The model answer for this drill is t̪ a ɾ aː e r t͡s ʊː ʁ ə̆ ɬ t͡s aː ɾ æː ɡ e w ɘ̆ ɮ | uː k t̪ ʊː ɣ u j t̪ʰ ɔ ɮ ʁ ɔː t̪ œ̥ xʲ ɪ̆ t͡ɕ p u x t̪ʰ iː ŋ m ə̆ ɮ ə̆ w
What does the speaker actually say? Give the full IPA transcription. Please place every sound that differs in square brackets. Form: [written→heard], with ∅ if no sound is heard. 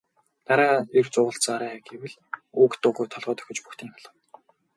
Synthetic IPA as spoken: t̪ a ɾ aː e r t͡s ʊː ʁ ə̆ ɬ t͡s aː ɾ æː ɡ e w ɘ̆ ɮ | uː k t̪ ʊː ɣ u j t̪ʰ ɔ ɮ ʁ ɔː t̪ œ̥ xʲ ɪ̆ t͡ɕ p u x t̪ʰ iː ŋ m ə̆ ɮ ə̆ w